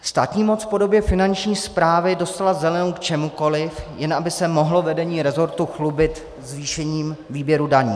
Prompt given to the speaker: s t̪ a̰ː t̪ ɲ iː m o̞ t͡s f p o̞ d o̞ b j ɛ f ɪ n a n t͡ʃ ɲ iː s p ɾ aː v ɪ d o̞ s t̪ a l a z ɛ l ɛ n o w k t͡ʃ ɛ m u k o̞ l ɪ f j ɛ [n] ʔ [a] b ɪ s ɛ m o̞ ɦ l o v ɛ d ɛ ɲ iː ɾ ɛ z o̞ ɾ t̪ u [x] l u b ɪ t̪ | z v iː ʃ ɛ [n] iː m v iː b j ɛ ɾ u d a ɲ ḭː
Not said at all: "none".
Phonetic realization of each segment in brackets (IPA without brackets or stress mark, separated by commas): n, a, x, ɲ